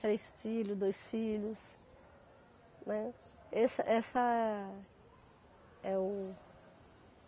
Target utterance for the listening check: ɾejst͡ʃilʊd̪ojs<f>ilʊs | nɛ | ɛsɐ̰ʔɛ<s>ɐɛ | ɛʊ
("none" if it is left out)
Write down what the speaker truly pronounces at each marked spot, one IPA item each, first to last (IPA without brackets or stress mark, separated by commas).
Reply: f, s